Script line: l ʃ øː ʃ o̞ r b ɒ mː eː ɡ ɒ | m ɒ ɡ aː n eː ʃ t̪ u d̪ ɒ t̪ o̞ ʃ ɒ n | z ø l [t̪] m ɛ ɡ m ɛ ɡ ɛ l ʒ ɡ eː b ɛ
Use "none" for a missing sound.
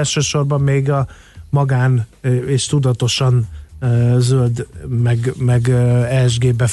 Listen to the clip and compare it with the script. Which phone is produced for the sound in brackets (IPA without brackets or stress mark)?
d̪